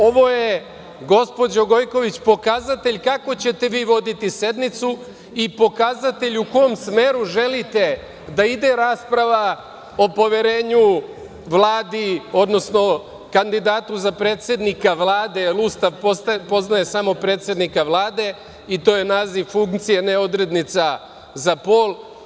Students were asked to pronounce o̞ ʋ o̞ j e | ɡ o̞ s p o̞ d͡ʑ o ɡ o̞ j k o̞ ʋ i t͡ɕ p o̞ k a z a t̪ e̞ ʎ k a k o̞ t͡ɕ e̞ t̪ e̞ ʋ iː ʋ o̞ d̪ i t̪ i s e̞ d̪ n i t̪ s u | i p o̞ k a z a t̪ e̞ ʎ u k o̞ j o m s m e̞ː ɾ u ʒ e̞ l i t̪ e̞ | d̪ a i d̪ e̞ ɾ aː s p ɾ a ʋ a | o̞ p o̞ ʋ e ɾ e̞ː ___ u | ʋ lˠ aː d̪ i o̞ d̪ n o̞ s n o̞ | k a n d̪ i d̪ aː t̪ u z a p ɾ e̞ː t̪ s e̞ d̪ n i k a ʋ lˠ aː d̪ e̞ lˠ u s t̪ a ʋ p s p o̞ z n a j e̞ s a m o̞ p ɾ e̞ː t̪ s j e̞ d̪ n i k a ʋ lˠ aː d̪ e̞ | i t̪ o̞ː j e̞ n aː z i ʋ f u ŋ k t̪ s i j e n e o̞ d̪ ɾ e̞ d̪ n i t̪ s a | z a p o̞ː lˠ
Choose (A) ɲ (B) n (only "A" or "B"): A